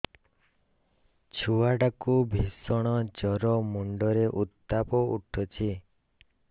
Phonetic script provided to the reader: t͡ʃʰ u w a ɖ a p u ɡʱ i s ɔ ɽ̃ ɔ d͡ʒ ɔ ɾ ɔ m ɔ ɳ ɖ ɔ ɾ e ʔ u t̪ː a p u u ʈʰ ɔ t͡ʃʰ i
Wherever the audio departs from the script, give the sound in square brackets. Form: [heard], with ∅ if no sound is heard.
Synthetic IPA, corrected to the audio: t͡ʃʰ u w a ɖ a [k] u [bʱ] i s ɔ ɽ̃ ɔ d͡ʒ ɔ ɾ ɔ m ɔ ɳ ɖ ɔ ɾ e ʔ u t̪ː a p [ɔ] u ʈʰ ɔ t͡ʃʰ i